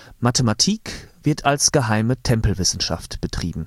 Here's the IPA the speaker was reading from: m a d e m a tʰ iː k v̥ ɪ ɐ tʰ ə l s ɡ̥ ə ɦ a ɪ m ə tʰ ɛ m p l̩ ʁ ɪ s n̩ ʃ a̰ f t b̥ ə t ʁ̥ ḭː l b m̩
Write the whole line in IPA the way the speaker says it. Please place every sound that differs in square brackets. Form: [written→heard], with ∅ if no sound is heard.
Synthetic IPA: m a [d→t] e m a tʰ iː k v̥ ɪ ɐ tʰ [ə→a] l s ɡ̥ ə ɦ a ɪ m ə tʰ ɛ m p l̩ [ʁ→v] ɪ s n̩ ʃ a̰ f t b̥ ə t ʁ̥ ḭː [l→∅] b m̩